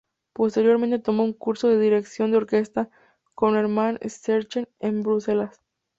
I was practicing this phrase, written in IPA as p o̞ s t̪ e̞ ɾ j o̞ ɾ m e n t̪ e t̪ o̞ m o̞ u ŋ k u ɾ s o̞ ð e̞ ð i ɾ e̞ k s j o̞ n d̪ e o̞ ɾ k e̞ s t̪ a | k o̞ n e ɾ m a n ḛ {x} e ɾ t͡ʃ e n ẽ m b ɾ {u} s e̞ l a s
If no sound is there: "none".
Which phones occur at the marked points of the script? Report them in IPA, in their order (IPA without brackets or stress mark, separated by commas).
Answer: s, u